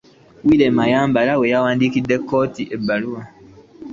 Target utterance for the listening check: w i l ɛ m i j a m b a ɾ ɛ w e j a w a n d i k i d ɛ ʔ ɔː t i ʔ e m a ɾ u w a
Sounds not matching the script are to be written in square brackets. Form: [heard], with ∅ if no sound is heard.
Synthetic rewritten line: w i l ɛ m [a] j a m b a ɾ [a] w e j a w a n d i k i d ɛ [k] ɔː t i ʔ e [b] a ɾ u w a